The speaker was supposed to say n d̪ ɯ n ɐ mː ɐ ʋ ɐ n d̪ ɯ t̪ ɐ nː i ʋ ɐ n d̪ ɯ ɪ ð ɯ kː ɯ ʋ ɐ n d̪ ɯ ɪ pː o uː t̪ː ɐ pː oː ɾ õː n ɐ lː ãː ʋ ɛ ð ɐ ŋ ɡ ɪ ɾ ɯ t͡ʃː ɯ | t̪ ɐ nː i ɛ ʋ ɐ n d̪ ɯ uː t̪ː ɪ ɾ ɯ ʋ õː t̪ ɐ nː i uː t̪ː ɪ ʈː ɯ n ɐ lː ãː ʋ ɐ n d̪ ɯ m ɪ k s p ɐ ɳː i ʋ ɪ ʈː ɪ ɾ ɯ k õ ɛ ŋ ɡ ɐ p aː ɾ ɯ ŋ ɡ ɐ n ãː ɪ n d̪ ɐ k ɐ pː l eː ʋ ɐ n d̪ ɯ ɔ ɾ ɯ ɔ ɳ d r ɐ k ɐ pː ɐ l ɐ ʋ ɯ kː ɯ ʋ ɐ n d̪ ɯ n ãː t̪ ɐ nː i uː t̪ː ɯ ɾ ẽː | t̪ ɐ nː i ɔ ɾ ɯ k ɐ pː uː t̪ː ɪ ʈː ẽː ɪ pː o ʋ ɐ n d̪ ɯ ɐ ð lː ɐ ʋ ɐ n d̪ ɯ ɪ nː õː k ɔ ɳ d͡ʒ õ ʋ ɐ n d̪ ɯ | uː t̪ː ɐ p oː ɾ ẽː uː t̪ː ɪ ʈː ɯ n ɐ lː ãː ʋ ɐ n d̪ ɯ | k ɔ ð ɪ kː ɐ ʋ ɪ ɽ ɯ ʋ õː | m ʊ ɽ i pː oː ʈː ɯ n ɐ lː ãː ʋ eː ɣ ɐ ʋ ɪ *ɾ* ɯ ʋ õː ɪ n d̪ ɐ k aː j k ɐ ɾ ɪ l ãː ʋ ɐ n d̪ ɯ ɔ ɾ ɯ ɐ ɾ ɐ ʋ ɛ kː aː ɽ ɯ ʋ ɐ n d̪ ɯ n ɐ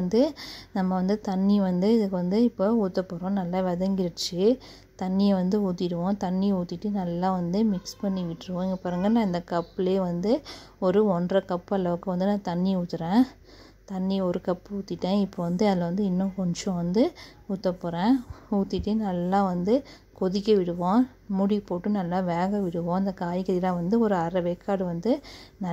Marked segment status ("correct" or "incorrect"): incorrect